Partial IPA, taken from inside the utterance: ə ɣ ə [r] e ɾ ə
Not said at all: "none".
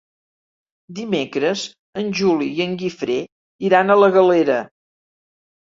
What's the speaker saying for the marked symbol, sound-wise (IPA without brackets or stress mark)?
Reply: l